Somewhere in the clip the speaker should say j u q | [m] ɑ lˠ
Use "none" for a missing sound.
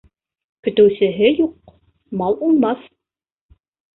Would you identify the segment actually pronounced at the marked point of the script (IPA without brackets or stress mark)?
m